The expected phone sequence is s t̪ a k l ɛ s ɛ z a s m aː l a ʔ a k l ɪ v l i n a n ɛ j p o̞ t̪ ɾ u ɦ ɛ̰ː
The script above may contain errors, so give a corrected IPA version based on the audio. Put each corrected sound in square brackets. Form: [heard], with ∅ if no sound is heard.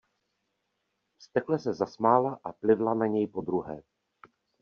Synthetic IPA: s t̪ [ɛ] k l ɛ s ɛ z a s m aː l a ʔ a [p] l ɪ v l [a] n a [ɲ] ɛ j p o̞ [d̪] ɾ u ɦ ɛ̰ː